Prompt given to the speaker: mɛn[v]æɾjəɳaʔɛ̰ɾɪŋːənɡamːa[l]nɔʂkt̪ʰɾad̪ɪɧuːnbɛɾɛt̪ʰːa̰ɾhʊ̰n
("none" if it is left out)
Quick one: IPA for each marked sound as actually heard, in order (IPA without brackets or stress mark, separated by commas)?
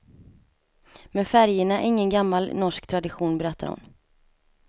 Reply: f, l